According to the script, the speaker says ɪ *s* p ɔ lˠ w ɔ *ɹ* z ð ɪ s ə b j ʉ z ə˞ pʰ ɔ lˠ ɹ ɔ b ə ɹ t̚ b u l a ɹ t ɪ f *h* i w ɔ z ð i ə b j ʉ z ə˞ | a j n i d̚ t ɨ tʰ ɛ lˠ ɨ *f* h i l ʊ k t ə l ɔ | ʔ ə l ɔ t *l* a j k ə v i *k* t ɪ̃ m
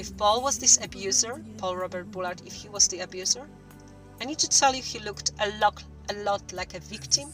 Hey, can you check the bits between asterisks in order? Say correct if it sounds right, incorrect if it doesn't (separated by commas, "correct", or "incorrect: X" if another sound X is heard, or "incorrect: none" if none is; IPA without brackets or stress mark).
incorrect: f, incorrect: none, correct, correct, correct, correct